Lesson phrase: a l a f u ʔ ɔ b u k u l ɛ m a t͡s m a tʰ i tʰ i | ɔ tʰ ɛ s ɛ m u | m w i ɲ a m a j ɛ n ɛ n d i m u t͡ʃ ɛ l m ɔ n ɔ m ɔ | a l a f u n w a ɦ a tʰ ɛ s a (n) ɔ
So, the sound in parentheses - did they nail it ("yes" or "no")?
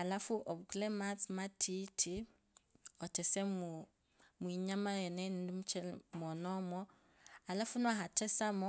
no